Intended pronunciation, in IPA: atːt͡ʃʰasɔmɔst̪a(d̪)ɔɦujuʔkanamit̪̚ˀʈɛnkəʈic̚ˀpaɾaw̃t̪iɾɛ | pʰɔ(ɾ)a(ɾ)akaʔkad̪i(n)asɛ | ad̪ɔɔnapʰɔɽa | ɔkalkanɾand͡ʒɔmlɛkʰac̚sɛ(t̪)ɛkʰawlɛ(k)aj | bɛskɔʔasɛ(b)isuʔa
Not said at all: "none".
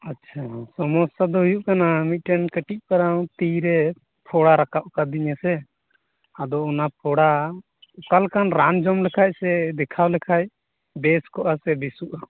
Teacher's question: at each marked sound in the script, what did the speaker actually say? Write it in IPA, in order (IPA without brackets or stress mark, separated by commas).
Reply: d̪, ɽ, ɾ, ɲ, d̪, kʰ, b